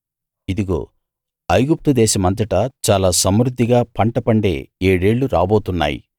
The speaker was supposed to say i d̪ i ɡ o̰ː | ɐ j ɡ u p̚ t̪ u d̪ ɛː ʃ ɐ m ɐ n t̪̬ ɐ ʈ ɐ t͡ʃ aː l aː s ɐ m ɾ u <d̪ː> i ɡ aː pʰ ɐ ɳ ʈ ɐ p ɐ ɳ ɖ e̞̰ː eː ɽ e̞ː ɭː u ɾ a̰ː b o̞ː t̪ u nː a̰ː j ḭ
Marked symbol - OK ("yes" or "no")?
yes